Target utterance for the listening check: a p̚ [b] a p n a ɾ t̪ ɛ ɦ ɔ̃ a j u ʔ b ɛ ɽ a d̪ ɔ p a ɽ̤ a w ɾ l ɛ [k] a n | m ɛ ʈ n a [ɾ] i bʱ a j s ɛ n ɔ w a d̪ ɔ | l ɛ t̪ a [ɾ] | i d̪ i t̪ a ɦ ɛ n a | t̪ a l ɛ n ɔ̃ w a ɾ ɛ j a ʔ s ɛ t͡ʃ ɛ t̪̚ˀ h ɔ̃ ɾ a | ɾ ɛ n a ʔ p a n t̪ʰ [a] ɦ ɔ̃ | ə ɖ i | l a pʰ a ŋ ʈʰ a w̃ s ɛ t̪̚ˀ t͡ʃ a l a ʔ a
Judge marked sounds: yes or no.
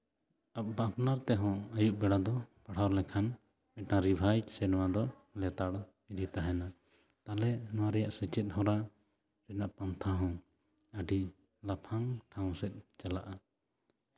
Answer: yes, no, yes, no, yes

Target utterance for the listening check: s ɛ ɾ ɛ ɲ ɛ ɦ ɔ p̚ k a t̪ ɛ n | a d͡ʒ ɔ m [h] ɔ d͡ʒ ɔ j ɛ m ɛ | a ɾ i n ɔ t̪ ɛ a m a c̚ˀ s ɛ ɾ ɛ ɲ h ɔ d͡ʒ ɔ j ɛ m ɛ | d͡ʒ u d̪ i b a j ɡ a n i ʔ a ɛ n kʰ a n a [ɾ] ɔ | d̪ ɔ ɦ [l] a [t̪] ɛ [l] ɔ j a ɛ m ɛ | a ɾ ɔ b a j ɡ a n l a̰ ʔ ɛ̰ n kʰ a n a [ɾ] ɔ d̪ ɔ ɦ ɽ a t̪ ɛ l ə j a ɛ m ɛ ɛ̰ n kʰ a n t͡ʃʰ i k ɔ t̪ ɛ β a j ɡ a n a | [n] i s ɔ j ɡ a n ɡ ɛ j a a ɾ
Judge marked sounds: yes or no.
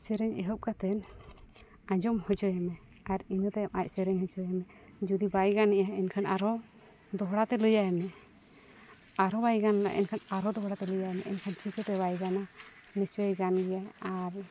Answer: yes, yes, no, yes, yes, yes, yes

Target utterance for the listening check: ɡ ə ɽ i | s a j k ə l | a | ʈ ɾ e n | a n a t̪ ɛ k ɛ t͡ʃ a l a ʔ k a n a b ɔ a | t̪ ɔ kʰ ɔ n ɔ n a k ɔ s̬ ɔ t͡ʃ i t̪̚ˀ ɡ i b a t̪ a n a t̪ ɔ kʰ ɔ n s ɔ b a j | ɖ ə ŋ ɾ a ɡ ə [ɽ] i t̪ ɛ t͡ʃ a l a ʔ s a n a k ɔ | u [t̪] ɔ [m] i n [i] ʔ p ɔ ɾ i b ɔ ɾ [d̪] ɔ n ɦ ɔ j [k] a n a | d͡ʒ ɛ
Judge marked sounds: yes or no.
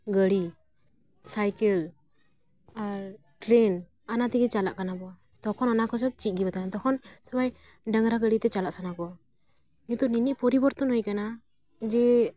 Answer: yes, yes, no, yes, no, yes

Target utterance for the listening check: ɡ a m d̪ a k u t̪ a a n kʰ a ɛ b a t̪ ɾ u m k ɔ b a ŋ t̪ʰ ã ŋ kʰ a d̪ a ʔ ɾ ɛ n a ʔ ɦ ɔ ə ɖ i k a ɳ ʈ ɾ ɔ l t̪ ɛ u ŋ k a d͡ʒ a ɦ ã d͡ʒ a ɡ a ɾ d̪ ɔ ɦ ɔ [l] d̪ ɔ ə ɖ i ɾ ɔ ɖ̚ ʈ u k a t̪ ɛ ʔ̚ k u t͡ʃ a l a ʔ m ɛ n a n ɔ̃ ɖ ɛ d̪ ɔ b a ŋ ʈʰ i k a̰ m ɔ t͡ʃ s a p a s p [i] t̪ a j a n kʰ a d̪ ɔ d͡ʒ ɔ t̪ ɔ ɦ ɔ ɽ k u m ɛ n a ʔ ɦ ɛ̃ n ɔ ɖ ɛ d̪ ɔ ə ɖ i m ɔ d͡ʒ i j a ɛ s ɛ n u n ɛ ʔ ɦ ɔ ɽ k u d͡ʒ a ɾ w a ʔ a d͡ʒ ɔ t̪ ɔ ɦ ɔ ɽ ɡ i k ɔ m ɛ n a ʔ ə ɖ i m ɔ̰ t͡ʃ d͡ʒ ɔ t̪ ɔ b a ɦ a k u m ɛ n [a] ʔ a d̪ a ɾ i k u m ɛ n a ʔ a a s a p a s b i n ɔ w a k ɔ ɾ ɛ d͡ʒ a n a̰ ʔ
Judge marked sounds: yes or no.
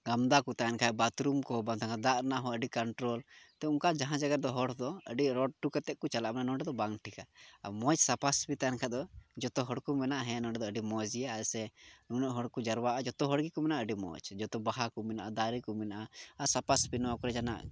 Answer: no, yes, yes

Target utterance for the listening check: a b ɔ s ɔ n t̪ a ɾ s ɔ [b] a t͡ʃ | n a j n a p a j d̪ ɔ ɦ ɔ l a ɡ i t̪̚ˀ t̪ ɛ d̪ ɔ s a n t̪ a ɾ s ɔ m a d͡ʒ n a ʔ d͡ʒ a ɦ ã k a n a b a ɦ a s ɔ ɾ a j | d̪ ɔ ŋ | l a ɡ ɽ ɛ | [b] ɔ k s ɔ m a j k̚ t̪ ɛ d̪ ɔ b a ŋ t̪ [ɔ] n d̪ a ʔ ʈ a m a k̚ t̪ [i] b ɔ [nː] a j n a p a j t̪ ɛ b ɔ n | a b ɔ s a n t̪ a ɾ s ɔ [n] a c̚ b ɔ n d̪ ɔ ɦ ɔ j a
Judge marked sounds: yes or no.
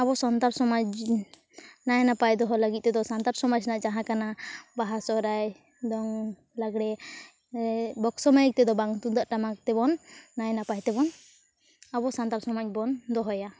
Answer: no, yes, no, no, yes, no

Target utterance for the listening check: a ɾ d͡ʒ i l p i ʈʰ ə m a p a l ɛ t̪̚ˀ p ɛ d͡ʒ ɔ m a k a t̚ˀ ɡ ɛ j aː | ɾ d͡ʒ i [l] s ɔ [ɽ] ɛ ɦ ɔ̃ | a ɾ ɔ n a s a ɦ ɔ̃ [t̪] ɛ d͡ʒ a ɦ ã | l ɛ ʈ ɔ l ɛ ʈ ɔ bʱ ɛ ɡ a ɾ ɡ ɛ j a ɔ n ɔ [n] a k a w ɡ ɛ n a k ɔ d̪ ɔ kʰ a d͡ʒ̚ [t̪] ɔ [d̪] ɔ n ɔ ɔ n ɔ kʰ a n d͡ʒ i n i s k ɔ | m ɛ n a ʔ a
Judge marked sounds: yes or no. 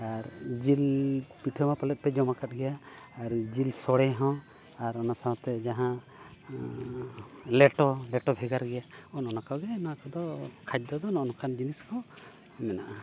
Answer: yes, yes, yes, yes, no, yes

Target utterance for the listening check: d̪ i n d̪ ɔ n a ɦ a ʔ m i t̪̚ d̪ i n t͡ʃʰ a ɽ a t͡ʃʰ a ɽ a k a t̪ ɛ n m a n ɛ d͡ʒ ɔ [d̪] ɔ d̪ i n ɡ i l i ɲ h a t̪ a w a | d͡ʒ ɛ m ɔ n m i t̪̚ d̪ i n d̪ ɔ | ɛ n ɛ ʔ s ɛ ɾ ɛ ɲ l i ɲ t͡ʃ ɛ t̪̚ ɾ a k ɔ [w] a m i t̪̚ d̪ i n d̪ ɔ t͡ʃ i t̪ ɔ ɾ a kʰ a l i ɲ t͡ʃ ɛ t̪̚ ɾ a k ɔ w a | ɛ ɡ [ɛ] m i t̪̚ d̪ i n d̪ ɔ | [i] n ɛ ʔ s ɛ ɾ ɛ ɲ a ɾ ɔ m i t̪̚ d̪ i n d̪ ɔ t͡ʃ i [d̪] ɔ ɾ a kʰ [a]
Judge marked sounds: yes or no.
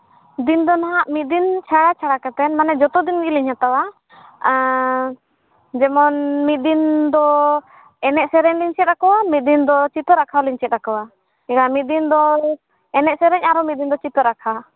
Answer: no, yes, no, no, no, yes

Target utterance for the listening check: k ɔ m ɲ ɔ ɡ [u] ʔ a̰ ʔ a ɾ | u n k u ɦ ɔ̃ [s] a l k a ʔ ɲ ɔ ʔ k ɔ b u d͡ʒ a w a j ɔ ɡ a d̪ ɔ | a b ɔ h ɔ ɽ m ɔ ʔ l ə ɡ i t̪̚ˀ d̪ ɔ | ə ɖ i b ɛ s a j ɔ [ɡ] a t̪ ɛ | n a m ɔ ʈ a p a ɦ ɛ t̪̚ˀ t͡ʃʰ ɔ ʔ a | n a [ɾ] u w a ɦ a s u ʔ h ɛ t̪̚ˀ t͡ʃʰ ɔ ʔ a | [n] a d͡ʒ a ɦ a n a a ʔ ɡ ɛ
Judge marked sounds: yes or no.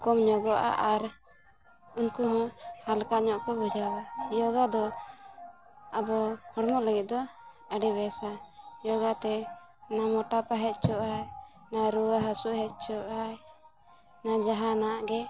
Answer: no, no, yes, yes, yes

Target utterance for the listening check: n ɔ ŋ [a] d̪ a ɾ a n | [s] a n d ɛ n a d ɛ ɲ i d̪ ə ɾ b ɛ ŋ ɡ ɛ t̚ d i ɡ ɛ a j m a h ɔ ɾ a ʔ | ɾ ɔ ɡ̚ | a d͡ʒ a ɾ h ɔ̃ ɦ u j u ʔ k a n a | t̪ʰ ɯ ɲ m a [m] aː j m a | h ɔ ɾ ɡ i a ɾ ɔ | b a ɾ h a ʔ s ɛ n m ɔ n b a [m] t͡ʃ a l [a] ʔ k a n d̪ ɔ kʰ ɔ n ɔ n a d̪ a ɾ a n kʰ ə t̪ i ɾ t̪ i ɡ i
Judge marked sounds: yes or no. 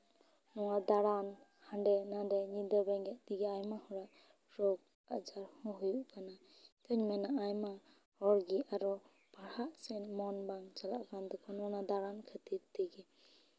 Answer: yes, no, no, no, yes

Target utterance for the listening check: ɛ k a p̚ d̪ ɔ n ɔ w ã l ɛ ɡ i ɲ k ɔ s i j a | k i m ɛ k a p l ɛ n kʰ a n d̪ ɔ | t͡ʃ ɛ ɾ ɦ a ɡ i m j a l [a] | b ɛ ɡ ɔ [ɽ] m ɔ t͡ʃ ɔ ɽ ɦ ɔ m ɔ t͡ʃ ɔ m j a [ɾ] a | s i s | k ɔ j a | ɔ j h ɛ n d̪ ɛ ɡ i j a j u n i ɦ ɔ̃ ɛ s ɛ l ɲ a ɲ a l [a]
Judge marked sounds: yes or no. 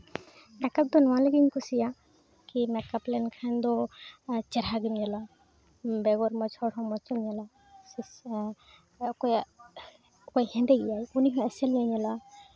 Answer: yes, no, no, yes

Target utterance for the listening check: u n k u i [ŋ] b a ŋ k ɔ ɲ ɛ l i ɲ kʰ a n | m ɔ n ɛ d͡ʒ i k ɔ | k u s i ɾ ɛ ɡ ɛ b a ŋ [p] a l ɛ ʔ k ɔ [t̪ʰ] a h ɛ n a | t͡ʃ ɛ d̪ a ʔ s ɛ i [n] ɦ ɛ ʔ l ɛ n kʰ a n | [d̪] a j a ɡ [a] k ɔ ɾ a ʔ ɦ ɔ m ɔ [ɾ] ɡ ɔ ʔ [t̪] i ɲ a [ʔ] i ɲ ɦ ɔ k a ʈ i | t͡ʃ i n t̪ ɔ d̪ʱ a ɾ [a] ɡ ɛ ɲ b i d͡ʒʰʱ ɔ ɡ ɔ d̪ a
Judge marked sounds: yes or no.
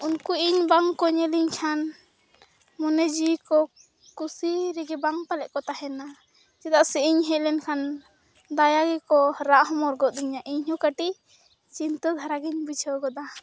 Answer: no, yes, no, no, yes, no, yes, no, yes, yes

